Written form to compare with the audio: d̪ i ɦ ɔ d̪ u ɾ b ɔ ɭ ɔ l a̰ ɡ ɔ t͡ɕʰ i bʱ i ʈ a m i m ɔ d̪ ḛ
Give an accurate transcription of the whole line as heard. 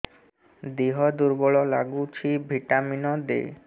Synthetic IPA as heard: d̪ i ɦ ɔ d̪ u ɾ b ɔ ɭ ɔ l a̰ ɡ u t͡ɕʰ i bʱ i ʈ a m i n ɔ d̪ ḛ